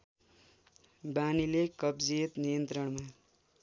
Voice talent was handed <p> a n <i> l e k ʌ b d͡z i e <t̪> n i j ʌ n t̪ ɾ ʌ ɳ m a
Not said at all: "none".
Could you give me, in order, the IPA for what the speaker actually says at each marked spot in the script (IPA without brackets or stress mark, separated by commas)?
b, i, t̪